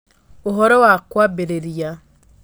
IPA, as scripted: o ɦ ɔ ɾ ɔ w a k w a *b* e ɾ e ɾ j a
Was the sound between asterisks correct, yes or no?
yes